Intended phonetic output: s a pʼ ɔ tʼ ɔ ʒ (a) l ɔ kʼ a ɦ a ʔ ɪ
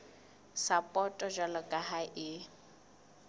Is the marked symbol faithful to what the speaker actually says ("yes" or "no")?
yes